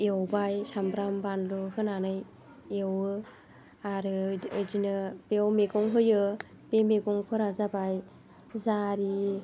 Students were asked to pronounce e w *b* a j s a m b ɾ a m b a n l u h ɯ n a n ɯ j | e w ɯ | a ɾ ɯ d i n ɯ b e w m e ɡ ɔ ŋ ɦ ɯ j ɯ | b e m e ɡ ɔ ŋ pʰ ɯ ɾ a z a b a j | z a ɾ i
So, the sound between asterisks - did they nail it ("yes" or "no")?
yes